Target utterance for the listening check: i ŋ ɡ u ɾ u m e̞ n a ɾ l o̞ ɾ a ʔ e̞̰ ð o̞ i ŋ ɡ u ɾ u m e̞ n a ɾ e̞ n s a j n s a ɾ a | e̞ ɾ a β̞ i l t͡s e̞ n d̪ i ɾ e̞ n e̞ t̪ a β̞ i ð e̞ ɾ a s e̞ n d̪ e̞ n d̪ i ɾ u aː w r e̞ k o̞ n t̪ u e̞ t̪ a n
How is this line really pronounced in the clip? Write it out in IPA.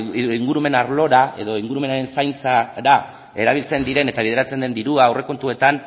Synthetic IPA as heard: i ŋ ɡ u ɾ u m e̞ n a ɾ l o̞ ɾ a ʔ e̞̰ ð o̞ i ŋ ɡ u ɾ u m e̞ n a ɾ e̞ n s a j n t͡s a ɾ a | e̞ ɾ a β̞ i l t͡s e̞ n d̪ i ɾ e̞ n e̞ t̪ a β̞ i ð e̞ ɾ a t͡s e̞ n d̪ e̞ n d̪ i ɾ u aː w r e̞ k o̞ n t̪ u e̞ t̪ a n